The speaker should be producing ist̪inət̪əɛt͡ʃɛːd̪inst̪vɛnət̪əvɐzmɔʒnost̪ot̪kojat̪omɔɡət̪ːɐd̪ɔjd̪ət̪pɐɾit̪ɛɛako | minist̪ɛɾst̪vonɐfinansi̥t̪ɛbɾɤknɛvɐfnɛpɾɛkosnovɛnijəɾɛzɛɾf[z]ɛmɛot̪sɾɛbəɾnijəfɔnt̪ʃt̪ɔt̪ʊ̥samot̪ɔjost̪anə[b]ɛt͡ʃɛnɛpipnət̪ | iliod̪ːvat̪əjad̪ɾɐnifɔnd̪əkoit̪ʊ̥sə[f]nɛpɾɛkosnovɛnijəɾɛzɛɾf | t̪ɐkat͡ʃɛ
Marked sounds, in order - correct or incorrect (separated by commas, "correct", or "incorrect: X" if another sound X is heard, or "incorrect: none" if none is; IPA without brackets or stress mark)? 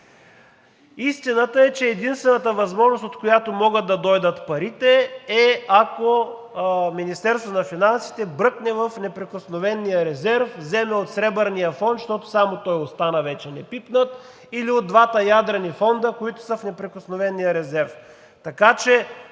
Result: correct, incorrect: v, correct